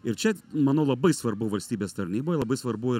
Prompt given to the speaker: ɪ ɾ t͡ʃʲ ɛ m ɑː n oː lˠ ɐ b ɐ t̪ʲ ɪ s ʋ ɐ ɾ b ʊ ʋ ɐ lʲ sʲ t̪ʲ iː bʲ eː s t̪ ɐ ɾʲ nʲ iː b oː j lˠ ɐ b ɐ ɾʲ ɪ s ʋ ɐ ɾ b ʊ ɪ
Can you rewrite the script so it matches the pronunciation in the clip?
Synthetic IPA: ɪ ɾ t͡ʃʲ ɛ m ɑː n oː lˠ ɐ b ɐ ɪ s ʋ ɐ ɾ b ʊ ʋ ɐ lʲ sʲ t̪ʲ iː bʲ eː s t̪ ɐ ɾʲ nʲ iː b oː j lˠ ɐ b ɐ ɪ s ʋ ɐ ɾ b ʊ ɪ